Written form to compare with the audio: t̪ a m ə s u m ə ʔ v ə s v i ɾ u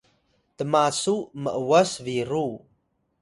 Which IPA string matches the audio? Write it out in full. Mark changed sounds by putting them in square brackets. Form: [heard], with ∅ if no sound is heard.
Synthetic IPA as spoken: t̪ [ə] m [a] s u m ə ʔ [w] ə s v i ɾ u